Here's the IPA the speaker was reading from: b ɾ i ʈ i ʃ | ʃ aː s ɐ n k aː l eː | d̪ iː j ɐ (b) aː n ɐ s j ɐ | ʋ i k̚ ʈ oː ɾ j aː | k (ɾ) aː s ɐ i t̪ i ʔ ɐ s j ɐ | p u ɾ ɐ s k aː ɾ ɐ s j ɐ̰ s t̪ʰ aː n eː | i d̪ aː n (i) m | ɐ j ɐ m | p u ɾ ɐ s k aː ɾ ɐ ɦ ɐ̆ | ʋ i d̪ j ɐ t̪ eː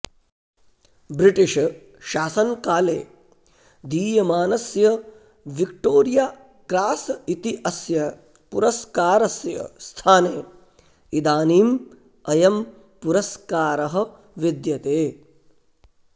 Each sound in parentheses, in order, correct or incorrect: incorrect, correct, incorrect

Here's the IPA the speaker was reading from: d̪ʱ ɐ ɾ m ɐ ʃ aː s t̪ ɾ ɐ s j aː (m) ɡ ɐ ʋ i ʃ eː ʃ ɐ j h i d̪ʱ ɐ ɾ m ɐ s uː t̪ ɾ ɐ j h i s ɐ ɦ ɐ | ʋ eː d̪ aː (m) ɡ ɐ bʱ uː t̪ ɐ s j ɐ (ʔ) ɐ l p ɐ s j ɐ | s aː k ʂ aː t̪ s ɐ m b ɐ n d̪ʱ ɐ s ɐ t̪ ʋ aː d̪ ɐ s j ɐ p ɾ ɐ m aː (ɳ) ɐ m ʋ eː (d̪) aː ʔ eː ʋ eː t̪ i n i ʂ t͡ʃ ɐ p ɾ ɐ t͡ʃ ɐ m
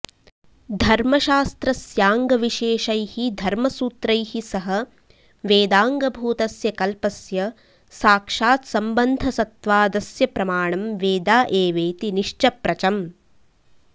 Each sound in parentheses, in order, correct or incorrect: incorrect, incorrect, incorrect, correct, correct

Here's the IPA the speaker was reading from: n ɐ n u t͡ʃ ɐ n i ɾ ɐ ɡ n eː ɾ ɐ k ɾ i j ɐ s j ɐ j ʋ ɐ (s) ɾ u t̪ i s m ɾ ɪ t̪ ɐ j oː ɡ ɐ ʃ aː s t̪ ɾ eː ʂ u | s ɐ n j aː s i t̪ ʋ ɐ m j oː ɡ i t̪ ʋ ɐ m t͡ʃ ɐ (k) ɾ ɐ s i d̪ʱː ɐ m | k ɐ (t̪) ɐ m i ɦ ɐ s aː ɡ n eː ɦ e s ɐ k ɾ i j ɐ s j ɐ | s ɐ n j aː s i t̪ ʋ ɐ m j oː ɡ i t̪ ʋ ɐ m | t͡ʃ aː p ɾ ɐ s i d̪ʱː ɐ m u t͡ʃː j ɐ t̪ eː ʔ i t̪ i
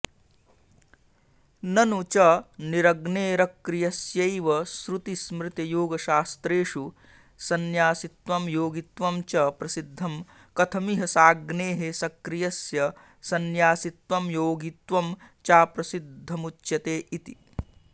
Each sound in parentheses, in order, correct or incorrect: correct, incorrect, incorrect

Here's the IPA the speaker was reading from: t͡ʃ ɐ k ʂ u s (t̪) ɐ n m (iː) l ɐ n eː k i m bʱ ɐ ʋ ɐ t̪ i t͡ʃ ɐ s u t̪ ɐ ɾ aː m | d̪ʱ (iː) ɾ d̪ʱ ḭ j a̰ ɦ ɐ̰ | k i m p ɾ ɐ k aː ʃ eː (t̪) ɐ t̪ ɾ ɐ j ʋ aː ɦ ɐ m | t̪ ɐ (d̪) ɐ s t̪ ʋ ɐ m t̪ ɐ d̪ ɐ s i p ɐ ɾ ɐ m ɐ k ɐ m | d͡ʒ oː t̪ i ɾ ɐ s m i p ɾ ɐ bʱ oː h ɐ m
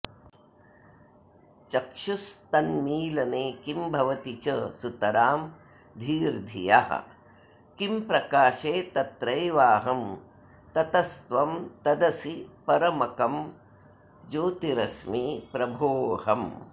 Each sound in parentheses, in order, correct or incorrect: correct, correct, correct, correct, incorrect

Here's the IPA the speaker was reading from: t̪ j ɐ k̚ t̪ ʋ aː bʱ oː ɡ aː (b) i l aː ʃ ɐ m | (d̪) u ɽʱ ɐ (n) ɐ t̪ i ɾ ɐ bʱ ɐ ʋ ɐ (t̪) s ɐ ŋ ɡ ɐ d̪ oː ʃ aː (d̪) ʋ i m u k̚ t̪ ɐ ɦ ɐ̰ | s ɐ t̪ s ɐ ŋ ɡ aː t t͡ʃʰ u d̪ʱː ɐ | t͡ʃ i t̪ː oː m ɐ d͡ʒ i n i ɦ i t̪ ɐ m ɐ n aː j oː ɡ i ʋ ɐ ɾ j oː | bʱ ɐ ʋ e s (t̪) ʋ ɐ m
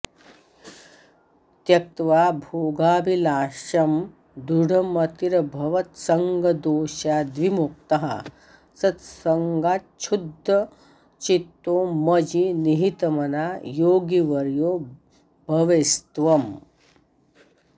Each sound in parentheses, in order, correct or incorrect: correct, correct, incorrect, correct, correct, correct

